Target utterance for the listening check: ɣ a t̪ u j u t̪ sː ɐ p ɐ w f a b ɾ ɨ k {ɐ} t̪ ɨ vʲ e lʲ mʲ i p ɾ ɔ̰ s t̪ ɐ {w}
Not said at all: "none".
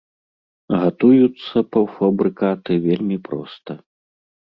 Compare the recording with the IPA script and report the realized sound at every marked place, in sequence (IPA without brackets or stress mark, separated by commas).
a, none